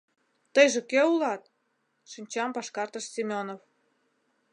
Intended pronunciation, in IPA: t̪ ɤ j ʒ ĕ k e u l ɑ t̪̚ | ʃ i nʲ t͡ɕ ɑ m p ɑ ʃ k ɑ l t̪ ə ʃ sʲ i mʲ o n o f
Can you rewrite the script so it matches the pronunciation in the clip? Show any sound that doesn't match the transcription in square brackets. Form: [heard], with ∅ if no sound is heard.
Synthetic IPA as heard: t̪ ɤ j ʒ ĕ k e u l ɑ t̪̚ | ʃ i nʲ t͡ɕ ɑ m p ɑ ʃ k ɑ [r] t̪ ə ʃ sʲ i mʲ o n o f

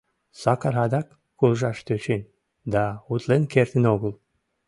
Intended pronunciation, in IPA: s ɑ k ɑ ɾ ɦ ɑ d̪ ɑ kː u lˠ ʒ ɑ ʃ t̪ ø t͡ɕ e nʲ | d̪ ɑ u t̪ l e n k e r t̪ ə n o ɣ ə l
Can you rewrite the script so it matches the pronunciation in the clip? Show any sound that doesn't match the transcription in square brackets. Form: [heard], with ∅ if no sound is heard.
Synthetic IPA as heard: s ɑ k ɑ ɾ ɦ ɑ d̪ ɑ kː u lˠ ʒ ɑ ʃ t̪ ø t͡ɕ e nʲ | d̪ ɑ u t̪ l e n k e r t̪ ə n o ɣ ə l

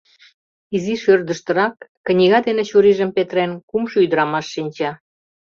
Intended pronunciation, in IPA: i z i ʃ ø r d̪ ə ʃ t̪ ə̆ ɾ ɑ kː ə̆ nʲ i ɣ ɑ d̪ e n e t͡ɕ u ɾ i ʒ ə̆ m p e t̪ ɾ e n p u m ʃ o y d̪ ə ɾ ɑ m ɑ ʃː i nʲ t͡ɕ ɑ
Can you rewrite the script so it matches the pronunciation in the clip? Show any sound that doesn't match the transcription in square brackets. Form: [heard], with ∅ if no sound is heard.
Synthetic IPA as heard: i z i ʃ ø r d̪ ə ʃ t̪ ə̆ ɾ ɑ kː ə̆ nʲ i ɣ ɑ d̪ e n e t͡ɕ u ɾ i ʒ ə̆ m p e t̪ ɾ e n [k] u m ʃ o y d̪ ə ɾ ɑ m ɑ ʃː i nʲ t͡ɕ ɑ

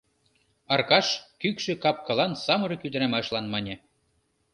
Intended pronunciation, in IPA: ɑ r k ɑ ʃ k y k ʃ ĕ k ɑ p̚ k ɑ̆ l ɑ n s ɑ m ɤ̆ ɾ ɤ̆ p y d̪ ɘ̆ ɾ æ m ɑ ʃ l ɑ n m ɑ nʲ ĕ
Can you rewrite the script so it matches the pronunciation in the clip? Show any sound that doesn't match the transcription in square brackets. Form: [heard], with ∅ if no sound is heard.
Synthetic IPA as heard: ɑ r k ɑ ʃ k y k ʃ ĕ k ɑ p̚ k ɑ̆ l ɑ n s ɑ m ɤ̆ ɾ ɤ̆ [k] y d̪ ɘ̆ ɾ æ m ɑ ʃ l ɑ n m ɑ nʲ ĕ

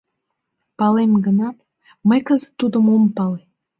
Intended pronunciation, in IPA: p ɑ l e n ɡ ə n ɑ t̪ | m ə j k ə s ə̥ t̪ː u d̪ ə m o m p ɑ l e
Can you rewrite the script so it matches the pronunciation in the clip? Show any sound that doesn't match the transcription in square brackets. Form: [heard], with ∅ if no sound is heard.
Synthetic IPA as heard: p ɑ l e [m] ɡ ə n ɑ t̪ | m ə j k ə [z] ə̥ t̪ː u d̪ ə m o m p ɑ l e

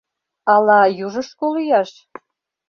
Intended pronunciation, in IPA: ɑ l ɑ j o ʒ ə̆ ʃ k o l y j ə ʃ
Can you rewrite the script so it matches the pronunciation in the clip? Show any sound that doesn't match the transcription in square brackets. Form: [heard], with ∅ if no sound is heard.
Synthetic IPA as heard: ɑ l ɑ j [u] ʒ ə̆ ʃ k o l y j [ɑ] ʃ

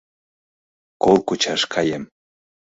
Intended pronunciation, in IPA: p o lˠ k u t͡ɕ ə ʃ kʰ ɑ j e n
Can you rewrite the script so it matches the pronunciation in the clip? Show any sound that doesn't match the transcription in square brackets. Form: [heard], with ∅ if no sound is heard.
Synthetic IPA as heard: [k] o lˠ k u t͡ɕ [ɑ] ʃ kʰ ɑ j e [m]

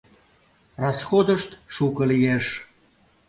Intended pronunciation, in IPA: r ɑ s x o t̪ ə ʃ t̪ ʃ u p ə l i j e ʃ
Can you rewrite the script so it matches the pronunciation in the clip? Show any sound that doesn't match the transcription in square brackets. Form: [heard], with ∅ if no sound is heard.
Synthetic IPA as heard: r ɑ s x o [d̪] ə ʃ t̪ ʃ u [k] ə l i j e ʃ

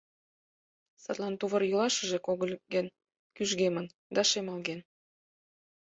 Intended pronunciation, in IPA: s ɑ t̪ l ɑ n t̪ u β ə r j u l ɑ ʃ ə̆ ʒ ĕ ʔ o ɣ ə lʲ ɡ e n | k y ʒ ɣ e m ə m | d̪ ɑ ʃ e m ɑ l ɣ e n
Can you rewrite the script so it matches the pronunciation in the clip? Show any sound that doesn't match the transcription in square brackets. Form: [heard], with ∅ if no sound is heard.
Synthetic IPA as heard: s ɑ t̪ l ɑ n t̪ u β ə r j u l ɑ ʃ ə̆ ʒ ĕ [k] o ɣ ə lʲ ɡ e n | k y ʒ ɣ e m ə [n] | d̪ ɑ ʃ e m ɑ l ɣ e n

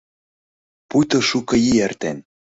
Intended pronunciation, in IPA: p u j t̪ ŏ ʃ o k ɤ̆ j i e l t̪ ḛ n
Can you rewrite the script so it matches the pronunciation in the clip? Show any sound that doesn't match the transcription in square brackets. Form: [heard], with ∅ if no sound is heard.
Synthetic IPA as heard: p u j t̪ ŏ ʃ [u] k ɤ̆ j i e [r] t̪ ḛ n

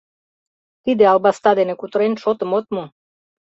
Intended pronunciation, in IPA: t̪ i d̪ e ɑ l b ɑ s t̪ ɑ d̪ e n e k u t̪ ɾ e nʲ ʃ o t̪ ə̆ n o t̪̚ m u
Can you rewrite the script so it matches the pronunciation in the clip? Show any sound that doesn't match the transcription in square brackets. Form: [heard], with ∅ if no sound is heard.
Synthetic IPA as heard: t̪ i d̪ e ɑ l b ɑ s t̪ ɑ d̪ e n e k u t̪ ɾ e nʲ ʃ o t̪ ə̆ [m] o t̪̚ m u

